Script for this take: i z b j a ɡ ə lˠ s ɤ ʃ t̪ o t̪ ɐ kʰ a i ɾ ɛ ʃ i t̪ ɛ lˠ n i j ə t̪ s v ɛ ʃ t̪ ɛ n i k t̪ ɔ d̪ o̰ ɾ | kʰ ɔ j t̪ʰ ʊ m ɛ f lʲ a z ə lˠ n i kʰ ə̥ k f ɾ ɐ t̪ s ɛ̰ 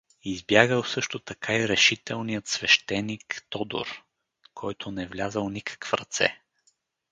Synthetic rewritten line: i z b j a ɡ ə lˠ s ɤ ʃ t̪ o t̪ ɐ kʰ a i ɾ ɛ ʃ i t̪ ɛ lˠ n i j ə t̪ s v ɛ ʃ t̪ ɛ n i k t̪ ɔ d̪ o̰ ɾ | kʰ ɔ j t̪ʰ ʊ n ɛ v lʲ a z ə lˠ n i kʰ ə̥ k f ɾ ɐ t̪ s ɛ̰